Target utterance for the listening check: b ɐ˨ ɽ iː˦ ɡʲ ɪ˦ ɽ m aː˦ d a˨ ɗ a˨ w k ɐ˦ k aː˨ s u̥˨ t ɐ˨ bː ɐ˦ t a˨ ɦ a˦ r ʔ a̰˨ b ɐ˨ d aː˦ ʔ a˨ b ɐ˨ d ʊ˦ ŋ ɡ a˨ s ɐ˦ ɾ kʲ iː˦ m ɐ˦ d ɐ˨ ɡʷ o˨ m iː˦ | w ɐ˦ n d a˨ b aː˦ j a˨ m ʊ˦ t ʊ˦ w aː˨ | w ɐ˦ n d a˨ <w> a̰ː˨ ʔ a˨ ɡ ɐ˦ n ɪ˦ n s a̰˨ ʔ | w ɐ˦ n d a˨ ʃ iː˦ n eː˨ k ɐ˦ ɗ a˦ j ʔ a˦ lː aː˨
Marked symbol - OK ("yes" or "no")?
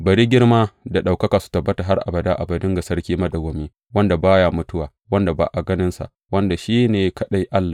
no